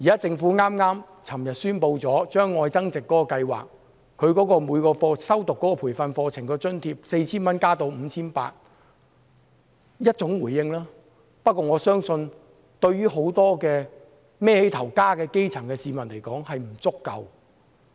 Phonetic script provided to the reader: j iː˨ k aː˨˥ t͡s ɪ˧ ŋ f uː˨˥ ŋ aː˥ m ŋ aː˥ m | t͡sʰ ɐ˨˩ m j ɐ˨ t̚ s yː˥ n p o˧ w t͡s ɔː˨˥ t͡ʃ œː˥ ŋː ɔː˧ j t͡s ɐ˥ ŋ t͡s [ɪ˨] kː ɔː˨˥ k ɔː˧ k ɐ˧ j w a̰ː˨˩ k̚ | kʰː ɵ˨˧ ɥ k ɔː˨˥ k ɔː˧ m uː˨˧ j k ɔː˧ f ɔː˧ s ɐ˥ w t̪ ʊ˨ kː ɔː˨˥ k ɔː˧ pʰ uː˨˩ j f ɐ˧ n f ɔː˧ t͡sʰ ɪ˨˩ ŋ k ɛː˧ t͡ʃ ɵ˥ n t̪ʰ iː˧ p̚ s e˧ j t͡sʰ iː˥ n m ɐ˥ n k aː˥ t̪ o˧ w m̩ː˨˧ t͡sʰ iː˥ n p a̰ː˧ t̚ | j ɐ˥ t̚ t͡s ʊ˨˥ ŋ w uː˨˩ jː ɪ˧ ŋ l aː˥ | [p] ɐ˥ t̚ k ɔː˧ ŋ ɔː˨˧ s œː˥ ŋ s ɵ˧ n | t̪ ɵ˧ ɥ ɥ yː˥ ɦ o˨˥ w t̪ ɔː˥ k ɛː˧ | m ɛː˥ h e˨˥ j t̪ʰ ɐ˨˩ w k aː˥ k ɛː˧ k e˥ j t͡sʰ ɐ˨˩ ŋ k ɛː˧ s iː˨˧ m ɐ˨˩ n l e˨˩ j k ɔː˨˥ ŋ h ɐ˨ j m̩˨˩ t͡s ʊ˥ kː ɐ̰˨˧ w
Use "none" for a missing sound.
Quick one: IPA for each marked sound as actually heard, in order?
ɪ˨, p

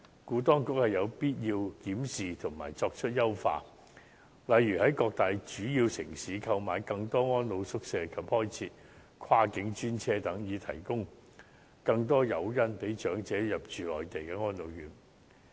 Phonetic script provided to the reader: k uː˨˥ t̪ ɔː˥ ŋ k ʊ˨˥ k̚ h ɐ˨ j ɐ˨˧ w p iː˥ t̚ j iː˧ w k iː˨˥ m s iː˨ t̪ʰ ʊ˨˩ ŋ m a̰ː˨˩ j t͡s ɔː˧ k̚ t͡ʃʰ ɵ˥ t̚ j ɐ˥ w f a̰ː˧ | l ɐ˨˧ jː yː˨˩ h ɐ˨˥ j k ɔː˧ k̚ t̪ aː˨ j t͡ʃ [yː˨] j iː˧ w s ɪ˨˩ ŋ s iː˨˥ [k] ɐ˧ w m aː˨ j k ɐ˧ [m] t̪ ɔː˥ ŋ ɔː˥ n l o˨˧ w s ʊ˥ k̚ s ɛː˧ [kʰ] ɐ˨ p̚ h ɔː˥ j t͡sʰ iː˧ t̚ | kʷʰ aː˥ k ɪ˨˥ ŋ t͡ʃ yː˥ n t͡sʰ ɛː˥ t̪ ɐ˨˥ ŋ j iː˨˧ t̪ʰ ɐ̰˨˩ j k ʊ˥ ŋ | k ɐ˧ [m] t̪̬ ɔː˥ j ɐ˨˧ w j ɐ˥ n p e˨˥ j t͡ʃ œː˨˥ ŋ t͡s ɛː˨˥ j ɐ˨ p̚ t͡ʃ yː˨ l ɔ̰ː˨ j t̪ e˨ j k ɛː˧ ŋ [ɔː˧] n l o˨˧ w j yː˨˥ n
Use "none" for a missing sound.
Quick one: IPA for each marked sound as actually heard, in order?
yː˨˥, kʰ, ŋ, kʰ, ŋ, ɔː˥

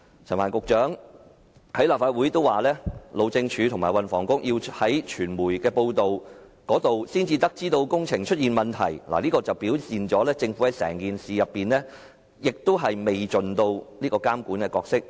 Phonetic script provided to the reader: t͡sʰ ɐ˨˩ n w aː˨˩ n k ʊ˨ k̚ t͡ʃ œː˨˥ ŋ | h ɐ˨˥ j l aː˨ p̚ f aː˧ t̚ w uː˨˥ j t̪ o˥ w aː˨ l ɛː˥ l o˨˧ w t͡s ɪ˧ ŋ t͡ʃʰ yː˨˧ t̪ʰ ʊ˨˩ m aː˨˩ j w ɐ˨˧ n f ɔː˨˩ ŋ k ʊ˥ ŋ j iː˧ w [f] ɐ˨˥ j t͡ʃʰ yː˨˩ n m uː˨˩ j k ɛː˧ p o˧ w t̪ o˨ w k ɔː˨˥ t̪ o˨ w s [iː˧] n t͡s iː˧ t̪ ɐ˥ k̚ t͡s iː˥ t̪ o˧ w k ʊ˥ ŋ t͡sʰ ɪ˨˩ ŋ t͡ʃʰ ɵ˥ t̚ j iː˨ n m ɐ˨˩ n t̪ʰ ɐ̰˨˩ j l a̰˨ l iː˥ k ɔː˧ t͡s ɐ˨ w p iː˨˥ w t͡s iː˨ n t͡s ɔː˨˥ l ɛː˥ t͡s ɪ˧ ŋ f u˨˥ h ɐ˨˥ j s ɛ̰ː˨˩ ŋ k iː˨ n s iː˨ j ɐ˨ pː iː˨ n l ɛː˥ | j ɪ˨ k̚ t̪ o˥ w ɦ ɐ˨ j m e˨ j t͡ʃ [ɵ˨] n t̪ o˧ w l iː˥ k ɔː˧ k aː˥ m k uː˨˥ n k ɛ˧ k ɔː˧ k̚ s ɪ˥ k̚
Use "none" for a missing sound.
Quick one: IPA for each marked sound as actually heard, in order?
h, iː˥, ɵ˨

